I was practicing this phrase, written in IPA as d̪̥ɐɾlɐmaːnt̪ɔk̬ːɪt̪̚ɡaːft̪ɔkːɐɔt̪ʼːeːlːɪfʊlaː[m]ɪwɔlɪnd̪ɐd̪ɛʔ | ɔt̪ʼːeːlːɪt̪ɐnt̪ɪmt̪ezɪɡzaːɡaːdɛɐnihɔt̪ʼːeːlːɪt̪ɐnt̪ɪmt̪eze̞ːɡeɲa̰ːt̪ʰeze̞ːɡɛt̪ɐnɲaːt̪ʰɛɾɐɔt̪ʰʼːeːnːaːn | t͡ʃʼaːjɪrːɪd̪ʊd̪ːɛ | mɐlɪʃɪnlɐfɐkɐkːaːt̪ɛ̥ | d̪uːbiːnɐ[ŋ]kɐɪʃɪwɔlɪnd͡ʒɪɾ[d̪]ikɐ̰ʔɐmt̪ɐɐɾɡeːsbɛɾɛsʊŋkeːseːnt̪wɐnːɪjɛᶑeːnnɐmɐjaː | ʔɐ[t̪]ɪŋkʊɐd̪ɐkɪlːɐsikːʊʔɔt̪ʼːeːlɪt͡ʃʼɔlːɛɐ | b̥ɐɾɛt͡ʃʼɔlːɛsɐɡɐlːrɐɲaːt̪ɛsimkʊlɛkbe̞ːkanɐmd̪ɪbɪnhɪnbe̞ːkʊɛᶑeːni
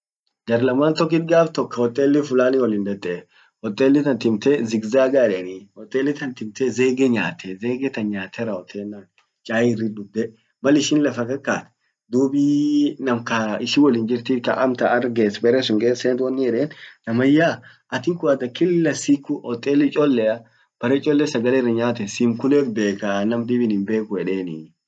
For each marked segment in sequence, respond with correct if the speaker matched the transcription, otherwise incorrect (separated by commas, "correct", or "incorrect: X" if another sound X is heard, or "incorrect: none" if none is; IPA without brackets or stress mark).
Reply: incorrect: n, incorrect: m, incorrect: t̪, correct